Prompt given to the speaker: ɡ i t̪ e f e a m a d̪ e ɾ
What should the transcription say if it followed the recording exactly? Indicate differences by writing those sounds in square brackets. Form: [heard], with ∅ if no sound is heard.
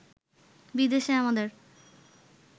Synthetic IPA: [b] i [d̪] e [ʃ] e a m a d̪ e ɾ

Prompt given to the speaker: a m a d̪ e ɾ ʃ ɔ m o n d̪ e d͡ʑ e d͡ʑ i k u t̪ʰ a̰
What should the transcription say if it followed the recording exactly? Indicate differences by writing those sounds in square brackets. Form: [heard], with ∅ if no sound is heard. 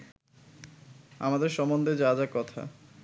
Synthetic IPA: a m a d̪ e ɾ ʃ ɔ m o n d̪ e d͡ʑ [a] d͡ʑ [a] k [ɔ] t̪ʰ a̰

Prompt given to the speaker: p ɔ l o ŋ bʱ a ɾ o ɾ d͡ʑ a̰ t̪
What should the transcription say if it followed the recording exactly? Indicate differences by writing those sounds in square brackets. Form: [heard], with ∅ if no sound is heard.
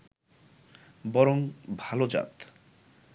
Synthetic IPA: [b] ɔ [ɾ] o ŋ bʱ a [l] o [∅] d͡ʑ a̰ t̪

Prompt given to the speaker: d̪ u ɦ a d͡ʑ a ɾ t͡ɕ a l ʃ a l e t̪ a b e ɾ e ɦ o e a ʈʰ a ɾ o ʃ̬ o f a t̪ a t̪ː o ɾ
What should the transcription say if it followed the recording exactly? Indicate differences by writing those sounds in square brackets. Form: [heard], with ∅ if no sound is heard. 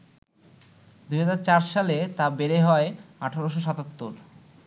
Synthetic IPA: d̪ u ɦ a d͡ʑ a ɾ t͡ɕ a [ɾ] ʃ a l e t̪ a b e ɾ e ɦ [ɔ] e a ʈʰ a ɾ o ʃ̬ o [ʃ] a t̪ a t̪ː o ɾ

